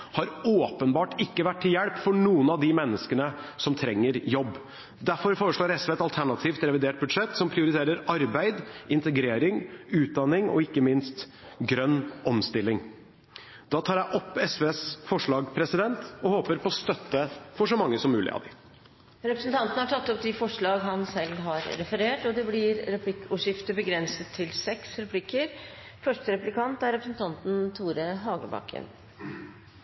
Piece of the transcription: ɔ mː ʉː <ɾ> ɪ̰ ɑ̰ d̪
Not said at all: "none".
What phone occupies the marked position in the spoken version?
l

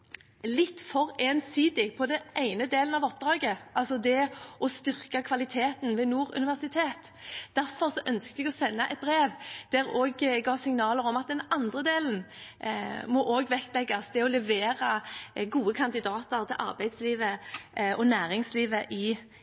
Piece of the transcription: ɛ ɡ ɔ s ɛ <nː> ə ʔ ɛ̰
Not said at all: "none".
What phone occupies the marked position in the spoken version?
nː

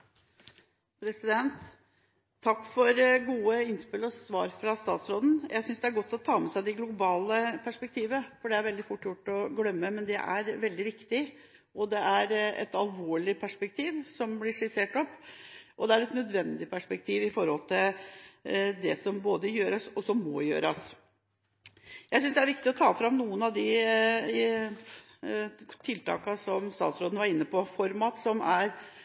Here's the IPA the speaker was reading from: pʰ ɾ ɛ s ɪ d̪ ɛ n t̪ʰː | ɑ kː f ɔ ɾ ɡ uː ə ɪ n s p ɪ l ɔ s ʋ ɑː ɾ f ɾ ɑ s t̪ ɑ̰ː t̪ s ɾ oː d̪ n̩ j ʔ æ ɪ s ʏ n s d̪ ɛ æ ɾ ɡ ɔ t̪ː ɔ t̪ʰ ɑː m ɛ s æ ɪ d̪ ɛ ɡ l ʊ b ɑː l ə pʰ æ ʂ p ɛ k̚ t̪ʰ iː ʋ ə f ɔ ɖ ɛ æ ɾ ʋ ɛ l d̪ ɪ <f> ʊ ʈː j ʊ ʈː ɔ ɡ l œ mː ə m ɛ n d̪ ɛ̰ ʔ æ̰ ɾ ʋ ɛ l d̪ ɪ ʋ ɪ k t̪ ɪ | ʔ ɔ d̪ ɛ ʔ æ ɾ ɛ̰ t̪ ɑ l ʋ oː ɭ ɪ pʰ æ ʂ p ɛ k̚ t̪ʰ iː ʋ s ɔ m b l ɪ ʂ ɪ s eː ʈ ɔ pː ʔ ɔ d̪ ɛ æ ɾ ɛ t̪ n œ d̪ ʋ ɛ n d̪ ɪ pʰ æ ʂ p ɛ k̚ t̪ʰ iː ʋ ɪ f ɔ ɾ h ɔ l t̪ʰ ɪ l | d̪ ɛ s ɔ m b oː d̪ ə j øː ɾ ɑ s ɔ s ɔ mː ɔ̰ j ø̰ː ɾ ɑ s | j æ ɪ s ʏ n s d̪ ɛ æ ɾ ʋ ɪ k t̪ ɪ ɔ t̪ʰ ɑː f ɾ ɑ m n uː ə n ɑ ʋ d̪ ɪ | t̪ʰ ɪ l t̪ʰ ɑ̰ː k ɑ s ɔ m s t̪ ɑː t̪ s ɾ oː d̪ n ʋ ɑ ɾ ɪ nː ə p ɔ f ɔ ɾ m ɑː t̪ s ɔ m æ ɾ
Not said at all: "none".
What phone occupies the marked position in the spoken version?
f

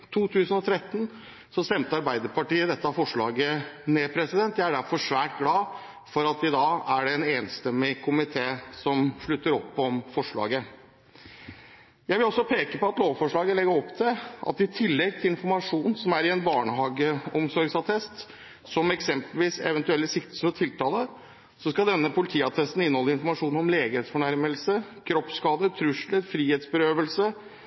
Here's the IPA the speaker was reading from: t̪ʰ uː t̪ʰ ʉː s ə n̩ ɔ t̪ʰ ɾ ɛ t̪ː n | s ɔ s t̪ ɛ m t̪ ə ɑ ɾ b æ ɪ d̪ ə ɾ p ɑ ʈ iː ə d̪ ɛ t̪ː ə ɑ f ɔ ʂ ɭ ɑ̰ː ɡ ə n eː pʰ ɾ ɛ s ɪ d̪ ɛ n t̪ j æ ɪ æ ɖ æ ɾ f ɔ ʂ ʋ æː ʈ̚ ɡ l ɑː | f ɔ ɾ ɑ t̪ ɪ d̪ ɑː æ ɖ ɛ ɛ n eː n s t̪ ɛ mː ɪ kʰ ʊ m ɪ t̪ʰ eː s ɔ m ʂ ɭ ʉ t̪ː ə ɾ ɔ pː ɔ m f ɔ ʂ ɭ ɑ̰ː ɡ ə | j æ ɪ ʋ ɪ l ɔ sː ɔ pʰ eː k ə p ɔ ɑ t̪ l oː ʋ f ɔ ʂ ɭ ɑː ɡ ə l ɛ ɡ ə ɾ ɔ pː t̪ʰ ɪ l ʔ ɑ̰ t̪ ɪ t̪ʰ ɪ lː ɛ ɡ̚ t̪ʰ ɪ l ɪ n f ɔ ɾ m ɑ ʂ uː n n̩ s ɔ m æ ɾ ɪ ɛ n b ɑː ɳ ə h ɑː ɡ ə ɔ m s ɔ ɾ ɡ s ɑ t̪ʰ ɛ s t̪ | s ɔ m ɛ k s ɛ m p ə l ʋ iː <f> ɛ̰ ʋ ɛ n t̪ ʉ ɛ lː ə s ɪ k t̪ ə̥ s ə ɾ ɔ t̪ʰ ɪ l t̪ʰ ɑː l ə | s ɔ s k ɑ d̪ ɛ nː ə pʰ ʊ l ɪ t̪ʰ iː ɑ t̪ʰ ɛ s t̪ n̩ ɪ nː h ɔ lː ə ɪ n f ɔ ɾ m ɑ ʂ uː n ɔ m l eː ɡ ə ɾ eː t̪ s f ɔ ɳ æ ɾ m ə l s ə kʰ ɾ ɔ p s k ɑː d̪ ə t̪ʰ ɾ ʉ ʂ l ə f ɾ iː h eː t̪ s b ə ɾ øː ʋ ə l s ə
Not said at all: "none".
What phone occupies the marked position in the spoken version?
s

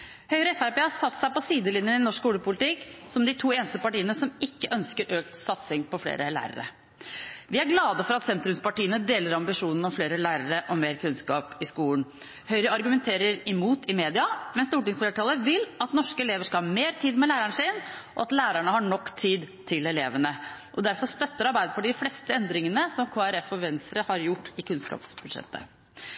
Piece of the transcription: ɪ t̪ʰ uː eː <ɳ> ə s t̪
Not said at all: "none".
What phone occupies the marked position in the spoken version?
n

